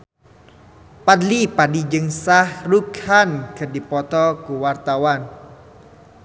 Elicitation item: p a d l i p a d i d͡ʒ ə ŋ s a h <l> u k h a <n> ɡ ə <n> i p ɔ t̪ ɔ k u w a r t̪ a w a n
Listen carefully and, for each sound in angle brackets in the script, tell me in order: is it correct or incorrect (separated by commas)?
incorrect, correct, incorrect